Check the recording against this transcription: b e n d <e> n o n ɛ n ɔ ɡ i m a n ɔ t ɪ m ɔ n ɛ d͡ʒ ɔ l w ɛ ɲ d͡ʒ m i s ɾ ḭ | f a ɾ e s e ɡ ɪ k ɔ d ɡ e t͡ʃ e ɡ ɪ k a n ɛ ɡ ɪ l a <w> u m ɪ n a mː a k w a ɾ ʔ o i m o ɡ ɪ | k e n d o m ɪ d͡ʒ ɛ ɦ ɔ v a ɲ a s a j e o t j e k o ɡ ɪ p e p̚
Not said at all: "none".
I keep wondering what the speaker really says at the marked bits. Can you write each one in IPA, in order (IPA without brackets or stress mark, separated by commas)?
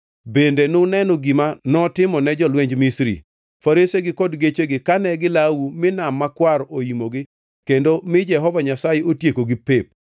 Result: e, w